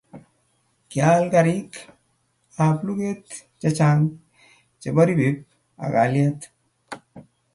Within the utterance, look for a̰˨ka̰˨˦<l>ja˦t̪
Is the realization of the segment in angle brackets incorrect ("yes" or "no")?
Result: no